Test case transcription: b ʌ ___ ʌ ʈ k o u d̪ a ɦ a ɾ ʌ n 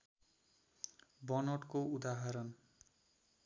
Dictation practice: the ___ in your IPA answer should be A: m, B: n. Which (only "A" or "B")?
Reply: B